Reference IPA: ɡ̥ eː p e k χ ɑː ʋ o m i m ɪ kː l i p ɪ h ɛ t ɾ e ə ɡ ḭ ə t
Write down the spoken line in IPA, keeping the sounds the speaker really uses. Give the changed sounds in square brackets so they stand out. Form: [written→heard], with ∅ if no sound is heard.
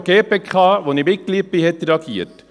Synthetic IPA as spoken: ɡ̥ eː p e k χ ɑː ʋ o [m→n] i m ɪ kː l i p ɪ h ɛ t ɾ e [ə→ɑ] ɡ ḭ ə t